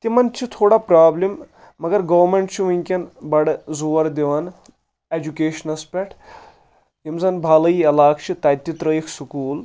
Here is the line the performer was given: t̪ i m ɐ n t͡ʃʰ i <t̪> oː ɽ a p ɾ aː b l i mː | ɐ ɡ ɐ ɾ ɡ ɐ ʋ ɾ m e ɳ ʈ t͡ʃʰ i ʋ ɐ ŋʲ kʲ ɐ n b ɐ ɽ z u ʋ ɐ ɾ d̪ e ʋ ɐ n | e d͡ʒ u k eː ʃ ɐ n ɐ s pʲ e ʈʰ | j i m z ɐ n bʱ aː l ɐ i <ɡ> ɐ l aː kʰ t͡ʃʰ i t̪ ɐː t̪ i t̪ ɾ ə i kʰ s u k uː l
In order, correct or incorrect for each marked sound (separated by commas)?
incorrect, incorrect